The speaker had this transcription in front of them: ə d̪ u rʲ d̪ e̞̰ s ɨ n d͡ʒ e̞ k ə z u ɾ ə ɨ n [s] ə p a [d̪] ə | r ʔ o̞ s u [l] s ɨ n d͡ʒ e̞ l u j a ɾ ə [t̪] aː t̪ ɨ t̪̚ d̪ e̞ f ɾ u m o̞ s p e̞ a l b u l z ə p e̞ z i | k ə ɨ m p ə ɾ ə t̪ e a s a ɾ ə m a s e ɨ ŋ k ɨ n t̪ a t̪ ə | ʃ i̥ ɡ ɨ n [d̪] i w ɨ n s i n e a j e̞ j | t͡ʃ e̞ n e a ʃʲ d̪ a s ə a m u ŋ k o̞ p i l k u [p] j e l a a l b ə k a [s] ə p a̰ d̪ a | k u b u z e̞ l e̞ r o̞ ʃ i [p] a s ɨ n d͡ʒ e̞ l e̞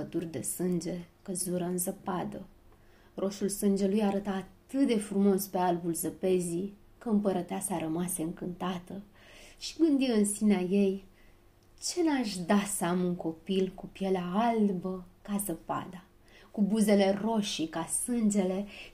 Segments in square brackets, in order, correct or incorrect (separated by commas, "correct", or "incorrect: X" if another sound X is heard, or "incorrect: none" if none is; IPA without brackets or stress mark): incorrect: z, correct, correct, correct, correct, correct, incorrect: z, incorrect: k